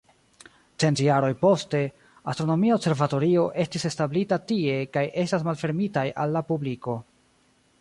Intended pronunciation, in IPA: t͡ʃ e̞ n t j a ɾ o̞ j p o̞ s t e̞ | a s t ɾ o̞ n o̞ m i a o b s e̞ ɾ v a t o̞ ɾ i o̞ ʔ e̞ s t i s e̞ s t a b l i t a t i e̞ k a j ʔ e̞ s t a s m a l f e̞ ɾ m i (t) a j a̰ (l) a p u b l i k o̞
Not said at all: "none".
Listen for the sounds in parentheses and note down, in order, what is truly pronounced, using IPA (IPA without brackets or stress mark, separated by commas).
t, lː